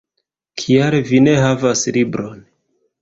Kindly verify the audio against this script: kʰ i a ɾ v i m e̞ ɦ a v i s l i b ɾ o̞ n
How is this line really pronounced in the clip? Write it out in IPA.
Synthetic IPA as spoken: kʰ i a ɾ v i n e̞ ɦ a v a s l i b ɾ o̞ n